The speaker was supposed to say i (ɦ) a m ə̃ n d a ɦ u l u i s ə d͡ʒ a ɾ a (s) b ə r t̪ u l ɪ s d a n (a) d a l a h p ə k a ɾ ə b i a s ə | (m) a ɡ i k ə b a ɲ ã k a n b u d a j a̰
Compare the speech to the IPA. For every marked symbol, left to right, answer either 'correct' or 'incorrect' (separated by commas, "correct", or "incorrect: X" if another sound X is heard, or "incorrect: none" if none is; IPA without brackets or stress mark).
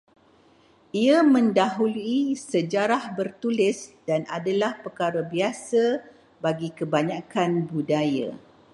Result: incorrect: none, incorrect: h, correct, incorrect: b